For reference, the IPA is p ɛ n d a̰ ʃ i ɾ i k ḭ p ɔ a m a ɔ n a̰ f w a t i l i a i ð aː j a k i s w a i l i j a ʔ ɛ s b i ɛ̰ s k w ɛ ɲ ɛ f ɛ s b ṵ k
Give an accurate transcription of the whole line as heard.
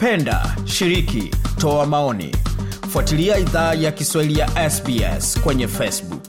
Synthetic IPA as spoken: p ɛ n d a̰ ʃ i ɾ i k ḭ t ɔ a m a ɔ n ḭ f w a t i l i a i ð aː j a k i s w a i l i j a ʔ ɛ s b i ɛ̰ s k w ɛ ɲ ɛ f ɛ s b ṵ k